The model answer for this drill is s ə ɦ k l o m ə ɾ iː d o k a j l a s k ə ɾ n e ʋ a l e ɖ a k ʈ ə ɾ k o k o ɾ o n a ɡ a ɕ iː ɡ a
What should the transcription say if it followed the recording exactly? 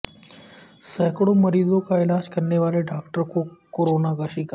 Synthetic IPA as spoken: s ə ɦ k ɽ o m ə ɾ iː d o k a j l a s k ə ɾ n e ʋ a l e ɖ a k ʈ ə ɾ k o k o ɾ o n a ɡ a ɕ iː k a